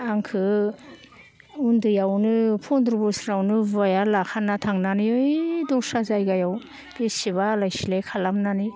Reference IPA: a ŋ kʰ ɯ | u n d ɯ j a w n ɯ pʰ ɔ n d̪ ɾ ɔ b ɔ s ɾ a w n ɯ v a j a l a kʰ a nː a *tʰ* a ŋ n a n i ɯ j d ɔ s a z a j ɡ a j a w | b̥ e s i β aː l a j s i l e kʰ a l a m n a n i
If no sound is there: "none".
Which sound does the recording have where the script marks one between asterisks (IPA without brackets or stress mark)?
tʰ